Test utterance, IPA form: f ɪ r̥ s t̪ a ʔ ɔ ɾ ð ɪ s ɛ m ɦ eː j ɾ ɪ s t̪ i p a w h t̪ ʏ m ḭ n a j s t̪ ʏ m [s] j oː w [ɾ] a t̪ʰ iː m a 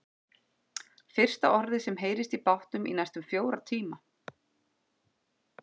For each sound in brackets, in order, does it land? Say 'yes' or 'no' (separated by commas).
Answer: no, yes